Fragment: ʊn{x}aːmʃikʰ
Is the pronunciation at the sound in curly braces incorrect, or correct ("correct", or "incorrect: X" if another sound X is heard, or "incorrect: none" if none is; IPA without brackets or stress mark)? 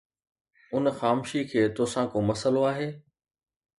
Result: correct